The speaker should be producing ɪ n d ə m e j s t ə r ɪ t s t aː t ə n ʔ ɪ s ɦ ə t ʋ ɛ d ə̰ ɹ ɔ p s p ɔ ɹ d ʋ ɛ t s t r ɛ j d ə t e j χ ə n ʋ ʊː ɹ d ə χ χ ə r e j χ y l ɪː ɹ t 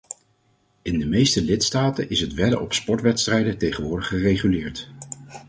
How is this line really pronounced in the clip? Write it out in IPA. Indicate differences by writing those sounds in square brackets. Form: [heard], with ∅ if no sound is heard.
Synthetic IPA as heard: ɪ n d ə m e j s t ə [l] ɪ t s t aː t ə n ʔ ɪ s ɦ ə t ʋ ɛ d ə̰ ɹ ɔ p s p ɔ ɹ [t] ʋ ɛ t s t r ɛ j d ə t e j χ ə n ʋ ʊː ɹ d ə χ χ ə r e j χ y l ɪː ɹ t

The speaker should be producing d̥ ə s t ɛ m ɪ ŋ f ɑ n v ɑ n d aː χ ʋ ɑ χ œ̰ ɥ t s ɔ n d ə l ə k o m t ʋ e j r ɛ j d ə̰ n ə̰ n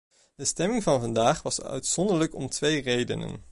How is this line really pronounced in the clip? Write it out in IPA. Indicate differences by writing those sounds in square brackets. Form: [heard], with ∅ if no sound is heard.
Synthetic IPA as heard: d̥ ə s t ɛ m ɪ ŋ [v] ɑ n v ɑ n d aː χ ʋ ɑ [s] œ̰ ɥ t s ɔ n d ə l ə k [ɔ] m t ʋ e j r [e] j d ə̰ n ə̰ n

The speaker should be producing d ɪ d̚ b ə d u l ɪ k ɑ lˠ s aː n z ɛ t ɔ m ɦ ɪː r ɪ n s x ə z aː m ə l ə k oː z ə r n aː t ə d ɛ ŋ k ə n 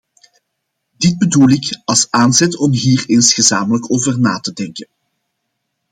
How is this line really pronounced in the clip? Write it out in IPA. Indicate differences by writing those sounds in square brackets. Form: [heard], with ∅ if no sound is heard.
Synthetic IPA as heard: d ɪ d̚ b ə d u l ɪ k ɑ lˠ s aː n z ɛ t ɔ m ɦ [iː] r ɪ n s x ə z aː m ə l ə k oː [v] ə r n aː t ə d ɛ ŋ k ə n

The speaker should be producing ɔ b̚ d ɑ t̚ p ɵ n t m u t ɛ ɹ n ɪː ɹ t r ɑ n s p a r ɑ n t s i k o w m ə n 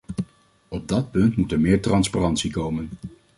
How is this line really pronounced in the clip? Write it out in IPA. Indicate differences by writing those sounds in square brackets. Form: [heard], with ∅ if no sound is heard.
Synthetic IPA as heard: ɔ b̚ d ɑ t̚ p ɵ n t m u t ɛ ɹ [m] ɪː ɹ t r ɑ n s p a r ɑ n t s i k o w m ə n

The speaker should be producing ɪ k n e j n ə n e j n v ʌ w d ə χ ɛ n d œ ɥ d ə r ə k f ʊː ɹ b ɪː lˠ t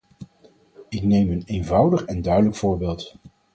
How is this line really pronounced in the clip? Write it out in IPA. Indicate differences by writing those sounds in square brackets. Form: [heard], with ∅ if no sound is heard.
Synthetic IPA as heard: ɪ k n e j [m] ə n e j n v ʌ w d ə χ ɛ n d œ ɥ d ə [l] ə k f ʊː ɹ b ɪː lˠ t

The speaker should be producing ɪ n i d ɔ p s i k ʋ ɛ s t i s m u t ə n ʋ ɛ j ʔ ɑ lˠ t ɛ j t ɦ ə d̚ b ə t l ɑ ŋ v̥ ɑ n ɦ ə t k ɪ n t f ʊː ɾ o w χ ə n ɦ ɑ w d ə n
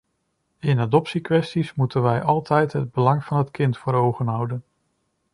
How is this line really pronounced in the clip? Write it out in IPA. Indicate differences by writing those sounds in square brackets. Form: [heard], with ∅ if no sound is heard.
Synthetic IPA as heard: ɪ n [a] d ɔ p s i k ʋ ɛ s t i s m u t ə n ʋ ɛ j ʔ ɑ lˠ t ɛ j t ɦ ə d̚ b ə [∅] l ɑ ŋ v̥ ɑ n ɦ ə t k ɪ n t f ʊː ɾ o w χ ə n ɦ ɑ w d ə n

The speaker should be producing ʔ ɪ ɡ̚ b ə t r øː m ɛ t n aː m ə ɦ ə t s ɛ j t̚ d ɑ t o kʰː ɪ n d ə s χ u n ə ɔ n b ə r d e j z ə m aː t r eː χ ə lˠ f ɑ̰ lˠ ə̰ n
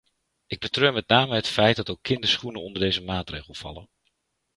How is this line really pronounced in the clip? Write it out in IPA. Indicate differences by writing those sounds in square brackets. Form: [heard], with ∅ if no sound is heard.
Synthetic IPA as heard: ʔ ɪ ɡ̚ b ə t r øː m ɛ t n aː m ə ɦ ə t [f] ɛ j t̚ d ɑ t o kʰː ɪ n d ə s χ u n ə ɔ n [d] ə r d e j z ə m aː t r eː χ ə lˠ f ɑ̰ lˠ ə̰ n

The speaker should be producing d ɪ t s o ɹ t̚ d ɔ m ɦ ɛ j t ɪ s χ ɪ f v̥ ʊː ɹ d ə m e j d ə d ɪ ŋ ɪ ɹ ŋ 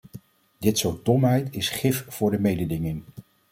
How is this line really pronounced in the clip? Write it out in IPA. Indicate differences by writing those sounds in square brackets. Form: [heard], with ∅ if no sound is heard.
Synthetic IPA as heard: d ɪ t s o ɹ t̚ d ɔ m ɦ ɛ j t ɪ s χ ɪ f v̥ ʊː ɹ d ə m e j d ə d ɪ ŋ ɪ [∅] ŋ

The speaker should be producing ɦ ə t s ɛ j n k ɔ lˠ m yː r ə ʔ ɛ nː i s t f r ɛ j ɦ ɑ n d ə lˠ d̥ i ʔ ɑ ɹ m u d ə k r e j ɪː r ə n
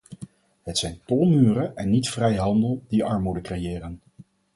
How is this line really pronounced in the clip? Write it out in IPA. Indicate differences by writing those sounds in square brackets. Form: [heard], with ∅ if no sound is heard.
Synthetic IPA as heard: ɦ ə t s ɛ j n [t] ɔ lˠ m yː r ə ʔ ɛ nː i [∅] t f r ɛ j ɦ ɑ n d ə lˠ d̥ i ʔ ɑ ɹ m u d ə k r e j ɪː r ə n

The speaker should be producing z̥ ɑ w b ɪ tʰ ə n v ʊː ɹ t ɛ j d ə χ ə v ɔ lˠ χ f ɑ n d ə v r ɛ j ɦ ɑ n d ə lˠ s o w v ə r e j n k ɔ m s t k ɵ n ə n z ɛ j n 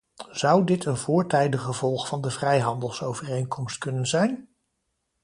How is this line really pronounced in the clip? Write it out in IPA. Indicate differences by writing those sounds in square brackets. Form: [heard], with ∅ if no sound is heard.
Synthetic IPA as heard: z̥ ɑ w [d] ɪ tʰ ə n v ʊː ɹ t ɛ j d ə χ ə v ɔ lˠ χ f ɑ n d ə v r ɛ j ɦ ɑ n d ə lˠ s o w v ə r e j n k ɔ m s t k ɵ n ə n z ɛ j n

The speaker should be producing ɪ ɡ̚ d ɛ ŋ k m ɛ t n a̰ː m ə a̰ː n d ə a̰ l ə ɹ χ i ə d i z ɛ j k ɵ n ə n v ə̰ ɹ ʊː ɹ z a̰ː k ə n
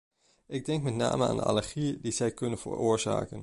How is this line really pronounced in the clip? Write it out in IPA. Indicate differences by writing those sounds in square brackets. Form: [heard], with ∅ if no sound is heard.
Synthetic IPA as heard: ɪ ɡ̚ d ɛ ŋ k m ɛ t n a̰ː m ə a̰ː n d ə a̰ l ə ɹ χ i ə d i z ɛ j k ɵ n ə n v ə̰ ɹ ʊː ɹ z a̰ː k ə n

